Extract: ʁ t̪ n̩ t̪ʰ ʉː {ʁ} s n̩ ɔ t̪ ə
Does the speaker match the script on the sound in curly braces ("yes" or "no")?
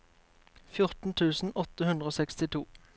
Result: no